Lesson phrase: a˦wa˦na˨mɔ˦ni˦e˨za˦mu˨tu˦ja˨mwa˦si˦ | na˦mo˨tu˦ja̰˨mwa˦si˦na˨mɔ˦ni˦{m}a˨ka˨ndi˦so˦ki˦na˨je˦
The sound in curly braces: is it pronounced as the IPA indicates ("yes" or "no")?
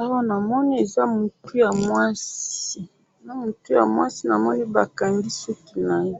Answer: no